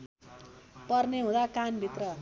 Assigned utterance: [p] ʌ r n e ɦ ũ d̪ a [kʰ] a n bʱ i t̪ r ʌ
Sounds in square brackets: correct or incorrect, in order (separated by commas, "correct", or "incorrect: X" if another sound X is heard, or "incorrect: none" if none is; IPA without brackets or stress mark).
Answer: correct, incorrect: k